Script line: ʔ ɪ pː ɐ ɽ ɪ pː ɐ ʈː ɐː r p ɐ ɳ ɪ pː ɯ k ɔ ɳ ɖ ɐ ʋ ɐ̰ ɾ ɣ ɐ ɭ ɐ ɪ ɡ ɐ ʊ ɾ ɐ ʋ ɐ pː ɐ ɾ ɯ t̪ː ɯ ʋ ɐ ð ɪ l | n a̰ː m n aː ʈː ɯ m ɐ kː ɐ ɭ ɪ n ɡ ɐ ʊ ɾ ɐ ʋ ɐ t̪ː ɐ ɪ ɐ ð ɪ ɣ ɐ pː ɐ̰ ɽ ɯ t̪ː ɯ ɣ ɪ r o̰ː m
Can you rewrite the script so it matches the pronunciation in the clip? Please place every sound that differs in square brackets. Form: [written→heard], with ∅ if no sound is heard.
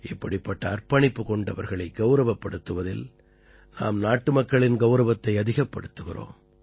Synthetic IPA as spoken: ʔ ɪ pː ɐ ɽ ɪ pː ɐ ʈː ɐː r p ɐ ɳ ɪ pː ɯ k ɔ ɳ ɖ ɐ ʋ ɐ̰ ɾ ɣ ɐ ɭ ɐ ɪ ɡ ɐ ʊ ɾ ɐ ʋ ɐ pː ɐ [ɾ→ɽ] ɯ t̪ː ɯ ʋ ɐ ð ɪ l | n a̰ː m n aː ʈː ɯ m ɐ kː ɐ ɭ ɪ n ɡ ɐ ʊ ɾ ɐ ʋ ɐ t̪ː ɐ ɪ ɐ ð ɪ ɣ ɐ pː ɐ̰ ɽ ɯ t̪ː ɯ ɣ ɪ r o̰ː m